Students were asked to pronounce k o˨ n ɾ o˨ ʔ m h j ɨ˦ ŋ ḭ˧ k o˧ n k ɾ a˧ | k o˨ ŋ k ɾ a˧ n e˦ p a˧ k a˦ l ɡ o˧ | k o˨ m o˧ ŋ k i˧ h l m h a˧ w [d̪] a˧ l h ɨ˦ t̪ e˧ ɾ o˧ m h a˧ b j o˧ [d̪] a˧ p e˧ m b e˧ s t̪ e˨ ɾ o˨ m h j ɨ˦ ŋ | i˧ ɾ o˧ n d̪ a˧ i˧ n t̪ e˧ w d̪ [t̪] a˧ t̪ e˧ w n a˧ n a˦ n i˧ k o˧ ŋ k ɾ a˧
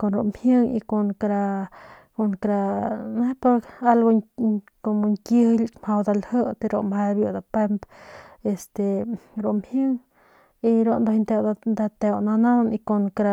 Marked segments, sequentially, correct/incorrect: correct, correct, incorrect: d̪

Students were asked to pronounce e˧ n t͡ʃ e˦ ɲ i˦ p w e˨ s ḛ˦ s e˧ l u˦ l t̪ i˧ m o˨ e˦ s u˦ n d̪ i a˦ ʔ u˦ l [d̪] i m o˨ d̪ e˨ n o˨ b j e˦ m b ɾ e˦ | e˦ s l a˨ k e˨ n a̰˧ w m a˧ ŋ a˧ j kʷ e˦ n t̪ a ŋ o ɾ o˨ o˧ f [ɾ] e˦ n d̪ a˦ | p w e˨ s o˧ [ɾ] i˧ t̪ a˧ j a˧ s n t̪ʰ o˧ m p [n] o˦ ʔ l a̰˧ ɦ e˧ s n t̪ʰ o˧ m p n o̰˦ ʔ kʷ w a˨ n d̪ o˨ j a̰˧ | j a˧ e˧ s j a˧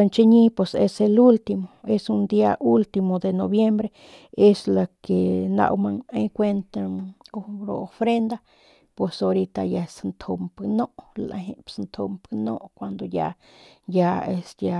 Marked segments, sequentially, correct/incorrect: incorrect: t̪, correct, correct, correct

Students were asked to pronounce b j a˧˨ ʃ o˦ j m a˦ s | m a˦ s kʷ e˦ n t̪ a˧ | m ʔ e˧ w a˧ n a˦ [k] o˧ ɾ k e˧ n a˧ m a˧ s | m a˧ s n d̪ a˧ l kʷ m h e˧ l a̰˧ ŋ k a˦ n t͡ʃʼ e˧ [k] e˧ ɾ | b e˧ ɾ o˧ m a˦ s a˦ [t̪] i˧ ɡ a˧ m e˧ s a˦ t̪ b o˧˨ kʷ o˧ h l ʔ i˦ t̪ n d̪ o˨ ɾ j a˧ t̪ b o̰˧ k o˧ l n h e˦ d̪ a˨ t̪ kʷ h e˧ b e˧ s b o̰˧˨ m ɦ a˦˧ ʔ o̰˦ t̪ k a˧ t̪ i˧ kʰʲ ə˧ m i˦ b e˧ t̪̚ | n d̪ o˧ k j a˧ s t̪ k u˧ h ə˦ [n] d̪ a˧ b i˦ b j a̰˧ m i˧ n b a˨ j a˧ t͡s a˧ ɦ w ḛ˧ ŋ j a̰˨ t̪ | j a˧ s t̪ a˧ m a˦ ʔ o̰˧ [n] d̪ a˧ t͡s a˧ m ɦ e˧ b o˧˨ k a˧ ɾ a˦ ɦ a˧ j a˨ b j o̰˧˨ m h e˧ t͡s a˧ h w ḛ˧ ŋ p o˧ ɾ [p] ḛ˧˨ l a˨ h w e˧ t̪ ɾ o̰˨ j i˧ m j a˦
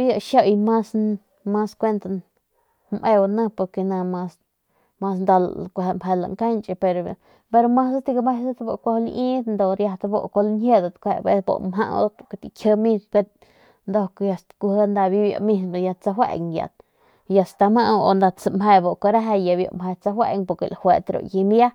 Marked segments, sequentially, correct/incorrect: incorrect: p, incorrect: p, correct, correct, correct, incorrect: k

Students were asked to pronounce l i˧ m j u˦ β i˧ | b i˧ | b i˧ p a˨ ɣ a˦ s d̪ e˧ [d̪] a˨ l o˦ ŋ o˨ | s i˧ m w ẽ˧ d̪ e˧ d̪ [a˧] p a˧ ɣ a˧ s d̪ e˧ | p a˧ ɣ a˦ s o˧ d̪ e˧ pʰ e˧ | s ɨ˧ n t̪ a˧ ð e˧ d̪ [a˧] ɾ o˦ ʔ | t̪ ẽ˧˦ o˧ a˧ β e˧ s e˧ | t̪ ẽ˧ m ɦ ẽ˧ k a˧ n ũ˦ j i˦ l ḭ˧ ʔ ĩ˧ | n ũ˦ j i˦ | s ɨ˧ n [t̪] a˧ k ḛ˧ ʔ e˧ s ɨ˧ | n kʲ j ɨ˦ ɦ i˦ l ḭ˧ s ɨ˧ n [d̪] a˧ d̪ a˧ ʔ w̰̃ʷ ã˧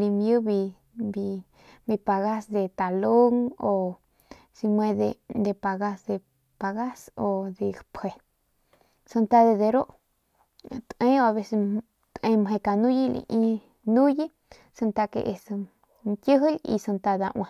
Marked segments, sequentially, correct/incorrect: incorrect: t̪, incorrect: e˧, incorrect: e˧, correct, incorrect: t̪

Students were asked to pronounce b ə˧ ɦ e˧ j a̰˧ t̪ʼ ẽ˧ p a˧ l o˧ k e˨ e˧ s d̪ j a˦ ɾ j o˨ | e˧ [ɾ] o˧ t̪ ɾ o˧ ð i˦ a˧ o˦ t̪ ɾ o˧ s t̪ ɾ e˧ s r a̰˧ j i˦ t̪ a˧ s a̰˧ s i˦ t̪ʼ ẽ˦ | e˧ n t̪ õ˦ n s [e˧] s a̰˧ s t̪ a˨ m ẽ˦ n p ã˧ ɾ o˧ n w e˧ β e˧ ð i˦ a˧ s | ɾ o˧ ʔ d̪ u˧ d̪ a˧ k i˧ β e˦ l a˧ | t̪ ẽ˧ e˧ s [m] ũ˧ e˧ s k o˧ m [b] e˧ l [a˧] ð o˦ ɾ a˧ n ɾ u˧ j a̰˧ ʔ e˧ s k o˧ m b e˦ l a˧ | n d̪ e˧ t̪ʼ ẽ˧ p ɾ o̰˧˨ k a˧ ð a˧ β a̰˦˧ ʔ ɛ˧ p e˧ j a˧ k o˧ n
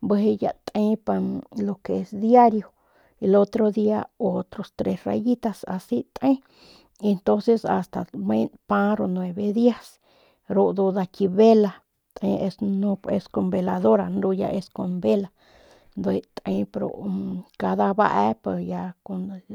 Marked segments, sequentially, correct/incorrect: incorrect: l, correct, incorrect: n, correct, correct

